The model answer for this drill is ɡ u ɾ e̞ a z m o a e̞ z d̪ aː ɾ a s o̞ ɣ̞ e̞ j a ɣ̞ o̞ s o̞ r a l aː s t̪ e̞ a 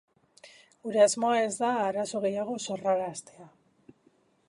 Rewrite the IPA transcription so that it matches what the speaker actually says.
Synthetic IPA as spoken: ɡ u ɾ e̞ a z m o a e̞ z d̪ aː ɾ a s o̞ ɣ̞ e̞ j a ɣ̞ o̞ s o̞ r a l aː s t̪ e̞ a